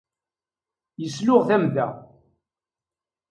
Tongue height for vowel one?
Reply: mid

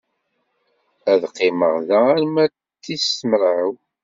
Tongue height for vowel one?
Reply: low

